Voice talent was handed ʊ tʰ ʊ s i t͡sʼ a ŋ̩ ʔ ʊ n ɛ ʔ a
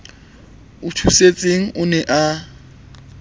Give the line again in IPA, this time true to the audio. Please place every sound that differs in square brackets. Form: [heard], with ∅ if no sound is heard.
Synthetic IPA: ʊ tʰ [u] s [e] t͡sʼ [e] ŋ̩ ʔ ʊ n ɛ ʔ a